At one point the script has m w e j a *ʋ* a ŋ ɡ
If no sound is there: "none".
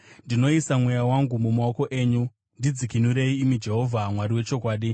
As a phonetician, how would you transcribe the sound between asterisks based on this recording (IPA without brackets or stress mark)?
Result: w